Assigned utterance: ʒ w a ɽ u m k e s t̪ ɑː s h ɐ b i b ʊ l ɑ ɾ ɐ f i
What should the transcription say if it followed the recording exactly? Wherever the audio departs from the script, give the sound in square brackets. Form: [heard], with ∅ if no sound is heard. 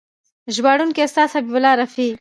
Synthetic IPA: ʒ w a ɽ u [n] k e s t̪ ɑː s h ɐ b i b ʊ l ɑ ɾ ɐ f i